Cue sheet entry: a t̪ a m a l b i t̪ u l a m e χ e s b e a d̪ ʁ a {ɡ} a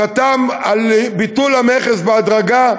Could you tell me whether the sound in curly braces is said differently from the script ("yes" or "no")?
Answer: no